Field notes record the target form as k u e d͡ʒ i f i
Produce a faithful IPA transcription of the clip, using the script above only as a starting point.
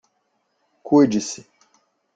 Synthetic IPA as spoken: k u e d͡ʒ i s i